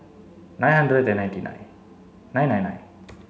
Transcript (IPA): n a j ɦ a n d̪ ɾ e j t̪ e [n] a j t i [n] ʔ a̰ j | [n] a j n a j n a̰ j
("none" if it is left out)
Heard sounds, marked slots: n, n, n

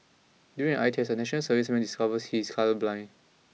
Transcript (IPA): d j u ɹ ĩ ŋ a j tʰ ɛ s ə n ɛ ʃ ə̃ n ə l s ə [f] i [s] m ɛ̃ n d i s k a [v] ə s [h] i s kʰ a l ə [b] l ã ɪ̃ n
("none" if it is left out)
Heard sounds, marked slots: v, s, v, h, b

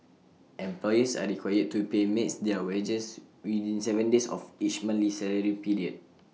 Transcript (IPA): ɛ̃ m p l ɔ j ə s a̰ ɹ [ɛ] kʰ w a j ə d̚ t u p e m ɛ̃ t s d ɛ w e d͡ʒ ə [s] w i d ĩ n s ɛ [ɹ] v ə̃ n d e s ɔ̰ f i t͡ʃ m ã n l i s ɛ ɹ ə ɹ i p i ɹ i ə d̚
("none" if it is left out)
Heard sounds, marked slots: i, s, none

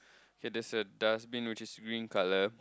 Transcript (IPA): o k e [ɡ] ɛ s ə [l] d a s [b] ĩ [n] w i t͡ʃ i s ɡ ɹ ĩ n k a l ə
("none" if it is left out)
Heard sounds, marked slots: d, none, b, n

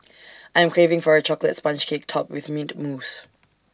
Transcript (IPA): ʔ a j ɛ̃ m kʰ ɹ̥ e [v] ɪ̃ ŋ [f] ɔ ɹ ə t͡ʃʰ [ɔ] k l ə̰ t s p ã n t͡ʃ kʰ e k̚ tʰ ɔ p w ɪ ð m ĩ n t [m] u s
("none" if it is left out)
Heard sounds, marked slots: v, f, ɔ, m

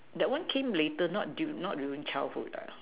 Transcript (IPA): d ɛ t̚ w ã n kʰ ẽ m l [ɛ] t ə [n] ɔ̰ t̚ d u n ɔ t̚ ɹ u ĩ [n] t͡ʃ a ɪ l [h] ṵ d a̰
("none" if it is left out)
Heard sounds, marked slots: e, n, ŋ, h

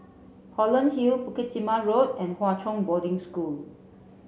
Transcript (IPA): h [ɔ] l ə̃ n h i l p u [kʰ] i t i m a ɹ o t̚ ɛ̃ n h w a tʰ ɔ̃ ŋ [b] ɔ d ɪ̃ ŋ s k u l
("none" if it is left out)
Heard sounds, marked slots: ɔ, k, b

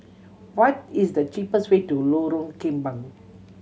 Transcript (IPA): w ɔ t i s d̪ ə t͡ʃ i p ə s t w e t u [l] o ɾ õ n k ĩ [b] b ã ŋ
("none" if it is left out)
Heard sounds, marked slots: l, m

